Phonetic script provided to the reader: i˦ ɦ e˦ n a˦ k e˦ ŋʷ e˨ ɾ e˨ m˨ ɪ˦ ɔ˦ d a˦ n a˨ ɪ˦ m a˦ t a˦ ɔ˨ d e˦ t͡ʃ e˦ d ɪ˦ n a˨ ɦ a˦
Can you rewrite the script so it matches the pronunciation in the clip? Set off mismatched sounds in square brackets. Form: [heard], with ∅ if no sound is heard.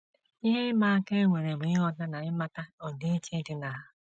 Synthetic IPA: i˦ ɦ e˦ [m] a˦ k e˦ ŋʷ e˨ ɾ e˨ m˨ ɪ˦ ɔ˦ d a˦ n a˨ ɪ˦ m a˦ t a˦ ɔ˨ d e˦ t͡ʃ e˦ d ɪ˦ n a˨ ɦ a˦